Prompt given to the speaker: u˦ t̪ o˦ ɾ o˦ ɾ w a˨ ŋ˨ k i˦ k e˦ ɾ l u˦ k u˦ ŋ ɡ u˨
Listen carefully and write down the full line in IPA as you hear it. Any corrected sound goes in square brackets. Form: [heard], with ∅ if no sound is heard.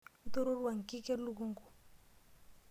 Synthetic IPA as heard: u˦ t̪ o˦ ɾ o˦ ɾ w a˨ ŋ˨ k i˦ k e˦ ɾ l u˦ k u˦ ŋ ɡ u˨